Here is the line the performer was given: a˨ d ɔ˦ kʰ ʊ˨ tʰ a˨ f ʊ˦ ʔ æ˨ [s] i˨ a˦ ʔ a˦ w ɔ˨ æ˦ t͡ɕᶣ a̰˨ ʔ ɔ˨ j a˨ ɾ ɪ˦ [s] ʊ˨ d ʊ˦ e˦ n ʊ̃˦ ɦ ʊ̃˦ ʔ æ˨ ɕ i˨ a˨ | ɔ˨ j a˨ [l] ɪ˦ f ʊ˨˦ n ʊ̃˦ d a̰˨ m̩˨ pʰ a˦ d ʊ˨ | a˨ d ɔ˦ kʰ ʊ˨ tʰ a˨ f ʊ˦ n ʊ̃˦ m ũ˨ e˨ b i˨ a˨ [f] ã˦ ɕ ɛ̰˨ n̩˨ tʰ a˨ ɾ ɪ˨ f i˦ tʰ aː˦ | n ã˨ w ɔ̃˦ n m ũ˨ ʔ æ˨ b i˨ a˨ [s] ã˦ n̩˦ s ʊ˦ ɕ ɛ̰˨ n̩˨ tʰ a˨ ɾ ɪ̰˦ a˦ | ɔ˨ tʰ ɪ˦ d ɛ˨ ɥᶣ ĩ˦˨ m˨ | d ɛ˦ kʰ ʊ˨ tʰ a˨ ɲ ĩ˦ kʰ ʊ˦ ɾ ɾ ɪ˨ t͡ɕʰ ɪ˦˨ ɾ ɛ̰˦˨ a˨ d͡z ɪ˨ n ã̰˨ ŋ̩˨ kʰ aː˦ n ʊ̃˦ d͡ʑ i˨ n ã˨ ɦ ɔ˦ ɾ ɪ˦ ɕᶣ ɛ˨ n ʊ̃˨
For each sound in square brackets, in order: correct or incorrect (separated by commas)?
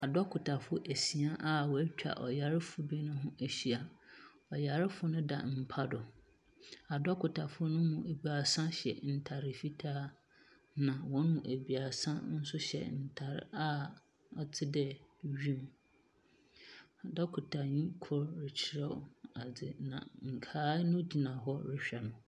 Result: correct, incorrect, incorrect, incorrect, correct